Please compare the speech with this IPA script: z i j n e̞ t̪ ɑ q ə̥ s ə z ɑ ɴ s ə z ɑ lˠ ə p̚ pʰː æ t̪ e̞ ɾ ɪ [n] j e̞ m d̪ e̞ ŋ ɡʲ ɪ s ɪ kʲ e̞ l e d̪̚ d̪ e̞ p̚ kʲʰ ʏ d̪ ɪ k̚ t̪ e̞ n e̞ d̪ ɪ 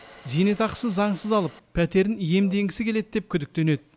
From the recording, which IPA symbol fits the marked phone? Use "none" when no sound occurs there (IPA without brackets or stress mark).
n